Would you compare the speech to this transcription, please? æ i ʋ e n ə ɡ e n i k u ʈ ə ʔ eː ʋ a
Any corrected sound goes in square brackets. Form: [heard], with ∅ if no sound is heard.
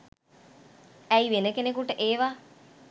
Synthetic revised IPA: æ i ʋ e n ə [k] e n [e] k u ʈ ə ʔ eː ʋ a